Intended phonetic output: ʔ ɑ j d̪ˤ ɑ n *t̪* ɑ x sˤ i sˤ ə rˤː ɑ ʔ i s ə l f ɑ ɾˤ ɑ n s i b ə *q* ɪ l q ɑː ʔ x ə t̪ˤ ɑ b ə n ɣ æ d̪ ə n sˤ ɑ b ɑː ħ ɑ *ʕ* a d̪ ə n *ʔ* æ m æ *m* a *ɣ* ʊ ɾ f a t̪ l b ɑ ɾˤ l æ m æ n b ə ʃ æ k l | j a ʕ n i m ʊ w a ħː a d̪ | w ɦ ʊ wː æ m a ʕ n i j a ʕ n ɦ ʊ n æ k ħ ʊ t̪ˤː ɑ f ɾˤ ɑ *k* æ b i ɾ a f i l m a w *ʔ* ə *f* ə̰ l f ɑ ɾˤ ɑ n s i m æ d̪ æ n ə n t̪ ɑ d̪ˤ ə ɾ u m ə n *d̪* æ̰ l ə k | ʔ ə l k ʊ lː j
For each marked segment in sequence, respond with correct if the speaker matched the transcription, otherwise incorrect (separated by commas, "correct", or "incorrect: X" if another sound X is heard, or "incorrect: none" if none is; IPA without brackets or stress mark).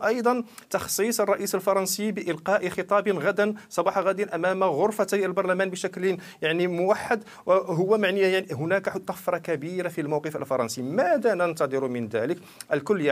correct, incorrect: ʔ, incorrect: ɣ, correct, correct, correct, correct, incorrect: q, correct, correct